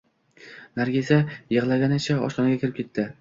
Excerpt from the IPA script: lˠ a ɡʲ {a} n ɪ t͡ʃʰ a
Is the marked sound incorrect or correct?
correct